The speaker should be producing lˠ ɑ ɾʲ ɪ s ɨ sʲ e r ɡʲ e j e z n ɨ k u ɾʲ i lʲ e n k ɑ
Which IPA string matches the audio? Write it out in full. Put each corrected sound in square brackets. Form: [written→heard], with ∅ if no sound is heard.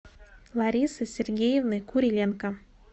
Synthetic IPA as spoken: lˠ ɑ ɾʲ [ɪ→i] s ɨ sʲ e r ɡʲ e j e [z→v] n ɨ k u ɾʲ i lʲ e n k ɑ